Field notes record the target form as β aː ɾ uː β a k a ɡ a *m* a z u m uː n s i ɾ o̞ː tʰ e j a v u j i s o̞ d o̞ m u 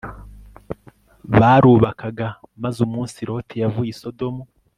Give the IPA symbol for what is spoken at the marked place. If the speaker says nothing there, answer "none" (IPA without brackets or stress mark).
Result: m